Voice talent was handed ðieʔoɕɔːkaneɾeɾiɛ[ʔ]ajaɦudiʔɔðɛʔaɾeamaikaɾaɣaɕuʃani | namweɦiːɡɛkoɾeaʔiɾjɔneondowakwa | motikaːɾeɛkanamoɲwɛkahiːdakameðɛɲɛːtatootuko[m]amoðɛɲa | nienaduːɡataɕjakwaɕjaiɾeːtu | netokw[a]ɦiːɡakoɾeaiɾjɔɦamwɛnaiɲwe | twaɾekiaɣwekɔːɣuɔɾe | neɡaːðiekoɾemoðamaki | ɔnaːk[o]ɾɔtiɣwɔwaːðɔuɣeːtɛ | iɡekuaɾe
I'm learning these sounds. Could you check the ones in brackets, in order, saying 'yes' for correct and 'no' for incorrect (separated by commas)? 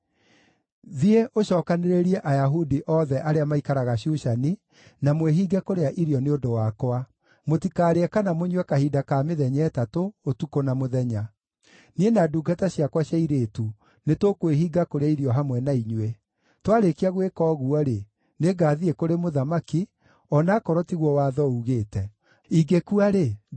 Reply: yes, no, no, no